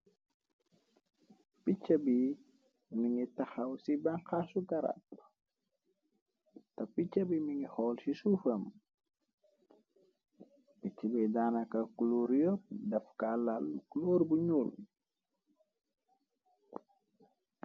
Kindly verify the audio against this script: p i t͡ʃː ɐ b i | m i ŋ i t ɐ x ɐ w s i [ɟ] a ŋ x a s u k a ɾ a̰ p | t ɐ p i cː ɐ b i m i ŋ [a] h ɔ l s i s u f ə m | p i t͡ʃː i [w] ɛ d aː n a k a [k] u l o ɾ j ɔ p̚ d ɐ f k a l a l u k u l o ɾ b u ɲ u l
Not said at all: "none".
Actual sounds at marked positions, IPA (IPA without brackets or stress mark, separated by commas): b, i, b, k